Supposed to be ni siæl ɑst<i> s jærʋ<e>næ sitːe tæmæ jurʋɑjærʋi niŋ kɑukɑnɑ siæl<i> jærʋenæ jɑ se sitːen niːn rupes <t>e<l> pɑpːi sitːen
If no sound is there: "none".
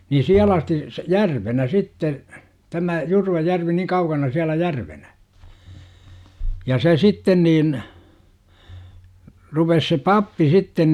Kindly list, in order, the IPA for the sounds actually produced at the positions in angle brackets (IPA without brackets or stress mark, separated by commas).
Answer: i, e, æ, s, none